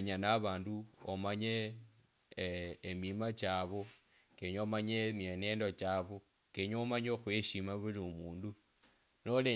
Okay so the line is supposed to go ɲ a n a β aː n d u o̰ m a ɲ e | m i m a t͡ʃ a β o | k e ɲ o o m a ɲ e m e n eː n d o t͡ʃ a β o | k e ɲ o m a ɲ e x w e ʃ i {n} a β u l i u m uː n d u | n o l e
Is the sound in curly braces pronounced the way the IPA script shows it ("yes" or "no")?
no